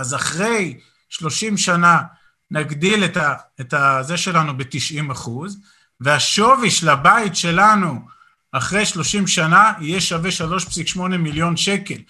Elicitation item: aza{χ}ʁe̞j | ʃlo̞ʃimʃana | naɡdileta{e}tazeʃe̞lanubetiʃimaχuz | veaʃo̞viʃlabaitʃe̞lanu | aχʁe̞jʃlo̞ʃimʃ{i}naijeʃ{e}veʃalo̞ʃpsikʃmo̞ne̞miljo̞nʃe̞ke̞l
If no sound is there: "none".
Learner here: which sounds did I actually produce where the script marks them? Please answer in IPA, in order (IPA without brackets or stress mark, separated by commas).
χ, e, a, a